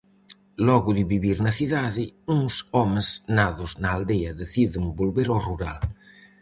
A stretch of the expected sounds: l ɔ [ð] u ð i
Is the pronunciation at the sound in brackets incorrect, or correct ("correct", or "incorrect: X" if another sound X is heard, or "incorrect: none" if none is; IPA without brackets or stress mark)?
incorrect: ɣ